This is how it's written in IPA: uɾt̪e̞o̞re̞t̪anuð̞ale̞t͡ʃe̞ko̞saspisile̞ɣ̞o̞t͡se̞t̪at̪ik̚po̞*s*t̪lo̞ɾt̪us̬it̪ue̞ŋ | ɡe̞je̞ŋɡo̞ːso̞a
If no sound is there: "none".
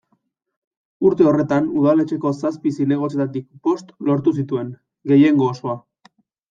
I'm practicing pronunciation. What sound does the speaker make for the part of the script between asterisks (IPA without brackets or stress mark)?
s